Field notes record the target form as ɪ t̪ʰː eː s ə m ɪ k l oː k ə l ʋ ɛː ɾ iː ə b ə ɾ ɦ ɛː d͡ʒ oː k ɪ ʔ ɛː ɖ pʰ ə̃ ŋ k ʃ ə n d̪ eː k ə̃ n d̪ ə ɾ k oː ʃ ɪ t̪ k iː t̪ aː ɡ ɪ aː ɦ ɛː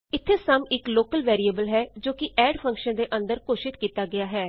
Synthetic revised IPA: ɪ t̪ʰː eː s ə m ɪ k l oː k ə l ʋ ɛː ɾ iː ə b ə l ɦ ɛː d͡ʒ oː k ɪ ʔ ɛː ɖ pʰ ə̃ ŋ k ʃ ə n d̪ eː ʔ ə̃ n d̪ ə ɾ k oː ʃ ɪ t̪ k iː t̪ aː ɡ ɪ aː ɦ ɛː